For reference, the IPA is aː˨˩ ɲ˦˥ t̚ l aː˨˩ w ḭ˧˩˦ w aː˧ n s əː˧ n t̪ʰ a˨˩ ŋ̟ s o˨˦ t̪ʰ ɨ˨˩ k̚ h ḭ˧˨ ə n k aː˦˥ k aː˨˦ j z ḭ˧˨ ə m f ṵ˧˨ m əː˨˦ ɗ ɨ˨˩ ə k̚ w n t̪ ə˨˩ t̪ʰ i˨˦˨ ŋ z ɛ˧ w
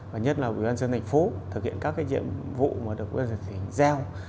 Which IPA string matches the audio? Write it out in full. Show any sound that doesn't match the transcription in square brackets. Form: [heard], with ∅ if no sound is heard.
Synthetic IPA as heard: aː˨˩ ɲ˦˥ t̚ l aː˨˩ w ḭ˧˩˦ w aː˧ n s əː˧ n t̪ʰ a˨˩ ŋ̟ [f] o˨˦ t̪ʰ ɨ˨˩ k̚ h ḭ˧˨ ə n k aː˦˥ k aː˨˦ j z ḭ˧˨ ə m [v] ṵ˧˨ m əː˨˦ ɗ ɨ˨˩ ə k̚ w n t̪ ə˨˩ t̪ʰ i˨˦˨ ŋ z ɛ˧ w